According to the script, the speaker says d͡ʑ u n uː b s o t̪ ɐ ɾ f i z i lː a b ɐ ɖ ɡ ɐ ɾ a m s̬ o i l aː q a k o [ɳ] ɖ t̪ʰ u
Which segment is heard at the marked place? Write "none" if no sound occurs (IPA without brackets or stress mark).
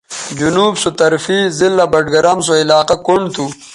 ɳ